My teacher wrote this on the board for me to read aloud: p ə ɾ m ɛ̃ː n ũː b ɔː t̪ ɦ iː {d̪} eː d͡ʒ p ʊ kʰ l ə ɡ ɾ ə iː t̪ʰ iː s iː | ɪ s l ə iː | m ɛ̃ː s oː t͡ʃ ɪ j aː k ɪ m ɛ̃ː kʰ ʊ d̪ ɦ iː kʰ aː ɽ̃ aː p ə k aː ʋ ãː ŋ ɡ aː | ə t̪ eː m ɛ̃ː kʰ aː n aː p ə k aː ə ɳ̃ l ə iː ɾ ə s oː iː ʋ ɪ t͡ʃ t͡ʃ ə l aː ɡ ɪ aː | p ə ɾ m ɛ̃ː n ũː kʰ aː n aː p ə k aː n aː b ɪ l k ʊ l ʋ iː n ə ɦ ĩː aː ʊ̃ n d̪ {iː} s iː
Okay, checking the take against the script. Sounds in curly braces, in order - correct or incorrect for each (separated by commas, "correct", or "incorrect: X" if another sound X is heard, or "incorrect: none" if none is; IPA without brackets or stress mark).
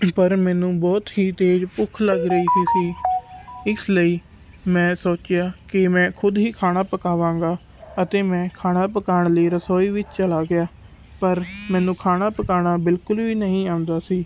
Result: incorrect: t̪, incorrect: aː